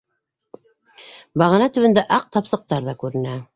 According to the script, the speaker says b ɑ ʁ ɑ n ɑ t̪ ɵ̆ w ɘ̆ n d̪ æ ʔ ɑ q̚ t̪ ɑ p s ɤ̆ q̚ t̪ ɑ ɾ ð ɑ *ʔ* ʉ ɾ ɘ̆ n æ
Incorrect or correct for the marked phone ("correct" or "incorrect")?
incorrect